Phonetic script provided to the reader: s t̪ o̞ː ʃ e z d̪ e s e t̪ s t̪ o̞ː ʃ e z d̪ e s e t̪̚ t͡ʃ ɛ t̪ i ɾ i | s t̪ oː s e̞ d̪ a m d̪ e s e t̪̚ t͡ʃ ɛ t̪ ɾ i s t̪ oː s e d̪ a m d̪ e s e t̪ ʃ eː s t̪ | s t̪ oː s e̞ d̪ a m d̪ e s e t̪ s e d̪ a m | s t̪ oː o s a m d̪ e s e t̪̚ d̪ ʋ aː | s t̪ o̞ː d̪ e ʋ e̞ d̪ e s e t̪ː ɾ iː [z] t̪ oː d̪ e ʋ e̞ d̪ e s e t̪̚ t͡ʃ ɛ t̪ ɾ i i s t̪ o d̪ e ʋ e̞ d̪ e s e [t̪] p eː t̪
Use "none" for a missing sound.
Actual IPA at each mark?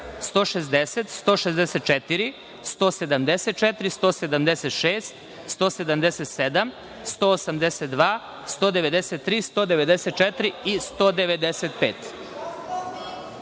s, t̪

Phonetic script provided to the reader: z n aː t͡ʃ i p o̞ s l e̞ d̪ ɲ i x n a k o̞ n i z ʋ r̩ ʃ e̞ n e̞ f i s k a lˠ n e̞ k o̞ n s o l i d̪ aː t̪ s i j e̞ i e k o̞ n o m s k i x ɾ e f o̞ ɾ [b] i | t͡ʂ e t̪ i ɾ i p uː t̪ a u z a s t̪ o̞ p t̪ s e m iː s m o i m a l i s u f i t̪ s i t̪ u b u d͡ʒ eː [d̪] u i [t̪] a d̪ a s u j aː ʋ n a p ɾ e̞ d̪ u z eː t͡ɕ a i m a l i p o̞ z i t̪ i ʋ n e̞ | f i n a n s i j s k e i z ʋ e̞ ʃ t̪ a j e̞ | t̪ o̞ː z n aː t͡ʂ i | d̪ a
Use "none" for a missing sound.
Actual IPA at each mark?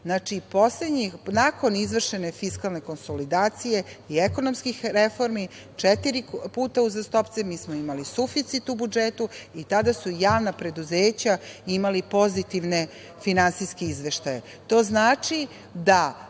m, t̪, t̪

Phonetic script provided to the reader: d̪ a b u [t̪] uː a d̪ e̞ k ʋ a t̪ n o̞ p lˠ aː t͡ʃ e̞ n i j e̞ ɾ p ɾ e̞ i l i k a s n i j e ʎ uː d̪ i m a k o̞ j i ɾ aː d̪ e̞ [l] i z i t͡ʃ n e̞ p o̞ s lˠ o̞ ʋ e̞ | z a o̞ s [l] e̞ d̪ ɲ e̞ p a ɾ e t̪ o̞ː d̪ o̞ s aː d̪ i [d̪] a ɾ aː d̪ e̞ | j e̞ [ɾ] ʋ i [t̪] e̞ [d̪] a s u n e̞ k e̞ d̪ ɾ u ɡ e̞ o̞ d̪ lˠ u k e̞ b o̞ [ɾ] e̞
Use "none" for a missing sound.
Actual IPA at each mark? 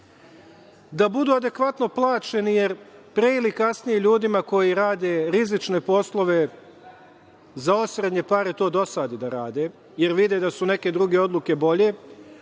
d̪, ɾ, ɾ, d̪, ɾ, d̪, d̪, ʎ

